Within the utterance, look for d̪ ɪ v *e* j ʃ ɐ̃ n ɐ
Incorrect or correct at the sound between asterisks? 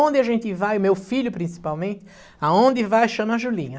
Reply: incorrect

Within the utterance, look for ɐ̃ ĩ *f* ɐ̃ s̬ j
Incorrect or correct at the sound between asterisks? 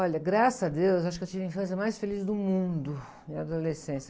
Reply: correct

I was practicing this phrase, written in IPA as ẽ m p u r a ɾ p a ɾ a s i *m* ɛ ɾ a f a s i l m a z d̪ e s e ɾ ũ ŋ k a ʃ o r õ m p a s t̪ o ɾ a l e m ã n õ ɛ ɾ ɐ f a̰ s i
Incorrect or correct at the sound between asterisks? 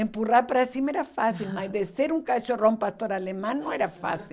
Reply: correct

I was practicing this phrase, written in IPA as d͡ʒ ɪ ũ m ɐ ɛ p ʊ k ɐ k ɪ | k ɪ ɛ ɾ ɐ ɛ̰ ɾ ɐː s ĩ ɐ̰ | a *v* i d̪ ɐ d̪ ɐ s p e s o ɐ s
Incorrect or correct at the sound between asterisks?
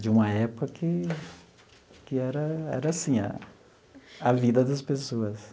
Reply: correct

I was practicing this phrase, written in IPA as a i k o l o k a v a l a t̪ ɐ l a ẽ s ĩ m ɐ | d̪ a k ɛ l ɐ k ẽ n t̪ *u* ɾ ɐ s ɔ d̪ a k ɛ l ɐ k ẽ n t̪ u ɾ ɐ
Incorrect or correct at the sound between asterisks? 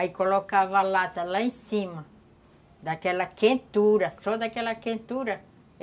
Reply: correct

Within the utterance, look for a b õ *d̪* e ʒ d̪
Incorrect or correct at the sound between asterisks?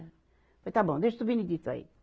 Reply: correct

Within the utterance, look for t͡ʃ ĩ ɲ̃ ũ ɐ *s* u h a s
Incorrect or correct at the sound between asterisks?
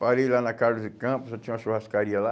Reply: incorrect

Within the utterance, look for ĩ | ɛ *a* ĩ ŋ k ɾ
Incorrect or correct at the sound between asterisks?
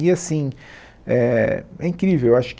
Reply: incorrect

